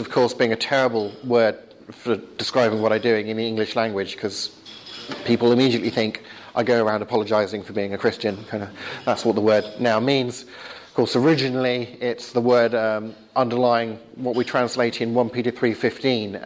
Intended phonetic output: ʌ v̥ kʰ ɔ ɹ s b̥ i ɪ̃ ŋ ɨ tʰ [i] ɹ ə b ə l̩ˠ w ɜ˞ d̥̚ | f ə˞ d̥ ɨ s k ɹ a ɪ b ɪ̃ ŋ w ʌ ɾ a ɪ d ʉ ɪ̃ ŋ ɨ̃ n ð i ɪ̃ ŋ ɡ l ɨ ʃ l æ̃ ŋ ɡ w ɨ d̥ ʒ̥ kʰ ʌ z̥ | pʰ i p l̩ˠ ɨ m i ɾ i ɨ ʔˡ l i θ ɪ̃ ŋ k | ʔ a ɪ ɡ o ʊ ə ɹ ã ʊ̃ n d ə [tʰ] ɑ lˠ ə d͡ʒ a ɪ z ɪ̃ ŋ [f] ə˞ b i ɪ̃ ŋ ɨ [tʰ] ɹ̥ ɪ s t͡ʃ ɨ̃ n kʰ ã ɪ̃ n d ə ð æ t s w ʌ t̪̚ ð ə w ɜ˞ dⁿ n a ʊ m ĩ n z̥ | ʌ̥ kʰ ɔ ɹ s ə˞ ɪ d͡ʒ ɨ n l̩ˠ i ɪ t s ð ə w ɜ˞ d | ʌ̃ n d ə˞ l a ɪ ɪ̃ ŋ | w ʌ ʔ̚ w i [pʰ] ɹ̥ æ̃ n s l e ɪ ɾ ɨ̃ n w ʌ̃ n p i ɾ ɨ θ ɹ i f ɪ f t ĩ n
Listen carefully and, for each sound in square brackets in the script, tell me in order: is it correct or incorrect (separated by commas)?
incorrect, incorrect, correct, incorrect, incorrect